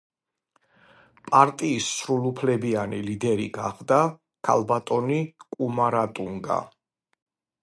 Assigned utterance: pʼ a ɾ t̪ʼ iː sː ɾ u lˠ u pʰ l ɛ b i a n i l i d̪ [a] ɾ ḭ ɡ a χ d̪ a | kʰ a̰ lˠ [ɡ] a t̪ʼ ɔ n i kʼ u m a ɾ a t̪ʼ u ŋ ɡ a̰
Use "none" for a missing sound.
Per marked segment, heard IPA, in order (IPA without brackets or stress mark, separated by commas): ɛ, b